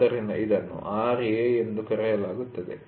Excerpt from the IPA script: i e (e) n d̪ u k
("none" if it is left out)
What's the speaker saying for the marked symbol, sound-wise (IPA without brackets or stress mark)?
e